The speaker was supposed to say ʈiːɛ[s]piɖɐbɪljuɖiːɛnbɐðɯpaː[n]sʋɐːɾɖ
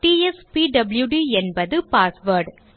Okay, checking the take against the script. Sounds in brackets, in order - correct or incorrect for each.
correct, incorrect

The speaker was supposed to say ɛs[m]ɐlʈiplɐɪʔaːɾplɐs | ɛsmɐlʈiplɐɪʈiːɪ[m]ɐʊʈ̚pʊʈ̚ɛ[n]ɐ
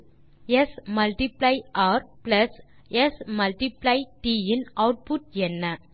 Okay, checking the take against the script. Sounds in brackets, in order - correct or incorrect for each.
correct, incorrect, incorrect

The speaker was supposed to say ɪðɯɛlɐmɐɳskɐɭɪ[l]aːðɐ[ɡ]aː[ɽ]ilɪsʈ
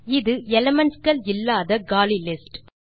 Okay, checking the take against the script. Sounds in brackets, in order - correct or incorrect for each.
incorrect, correct, incorrect

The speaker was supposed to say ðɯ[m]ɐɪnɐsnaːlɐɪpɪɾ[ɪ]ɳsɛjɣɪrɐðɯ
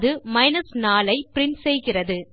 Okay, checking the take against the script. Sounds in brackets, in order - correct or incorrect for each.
correct, correct

